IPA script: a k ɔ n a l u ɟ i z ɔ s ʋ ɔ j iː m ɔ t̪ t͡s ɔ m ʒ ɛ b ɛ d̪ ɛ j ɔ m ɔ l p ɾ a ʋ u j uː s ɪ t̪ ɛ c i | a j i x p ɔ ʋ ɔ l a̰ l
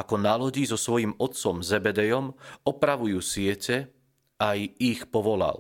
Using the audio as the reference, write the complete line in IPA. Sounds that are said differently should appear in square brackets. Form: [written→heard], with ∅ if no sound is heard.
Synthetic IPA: a k ɔ n a l [u→ɔ] ɟ i z ɔ s ʋ ɔ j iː m ɔ t̪ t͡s ɔ m [ʒ→z] ɛ b ɛ d̪ ɛ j ɔ m ɔ [l→∅] p ɾ a ʋ u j uː s ɪ [t̪→∅] ɛ c [i→ɛ] | a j i x p ɔ ʋ ɔ l a̰ l